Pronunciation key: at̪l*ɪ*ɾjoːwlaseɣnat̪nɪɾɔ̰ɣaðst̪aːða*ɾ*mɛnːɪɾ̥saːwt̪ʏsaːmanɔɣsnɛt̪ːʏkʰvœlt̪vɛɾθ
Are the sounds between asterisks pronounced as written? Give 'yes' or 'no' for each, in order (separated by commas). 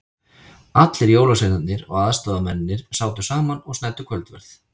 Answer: yes, no